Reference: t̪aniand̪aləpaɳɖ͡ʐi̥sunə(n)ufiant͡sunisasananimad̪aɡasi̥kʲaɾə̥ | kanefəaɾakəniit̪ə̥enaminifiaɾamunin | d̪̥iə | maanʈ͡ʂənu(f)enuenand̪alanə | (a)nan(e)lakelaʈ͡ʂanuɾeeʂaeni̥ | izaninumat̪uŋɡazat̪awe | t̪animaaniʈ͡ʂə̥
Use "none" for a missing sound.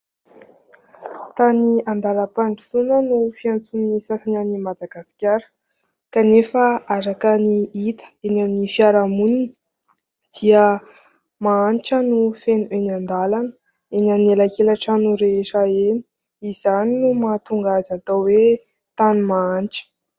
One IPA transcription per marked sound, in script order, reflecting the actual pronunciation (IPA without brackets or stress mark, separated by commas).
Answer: n, f, e, e